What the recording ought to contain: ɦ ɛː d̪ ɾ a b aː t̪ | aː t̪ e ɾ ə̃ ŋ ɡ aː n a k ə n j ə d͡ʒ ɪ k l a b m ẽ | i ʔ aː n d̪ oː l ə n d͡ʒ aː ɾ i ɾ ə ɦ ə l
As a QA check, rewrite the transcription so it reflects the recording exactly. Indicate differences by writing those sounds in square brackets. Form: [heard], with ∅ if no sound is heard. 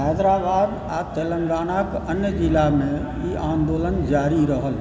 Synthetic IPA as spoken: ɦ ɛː d̪ ɾ a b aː [d̪] | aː t̪ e [l] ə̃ ŋ ɡ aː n a k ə n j ə d͡ʒ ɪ [∅] l a [∅] m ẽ | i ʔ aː n d̪ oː l ə n d͡ʒ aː ɾ i ɾ ə ɦ ə l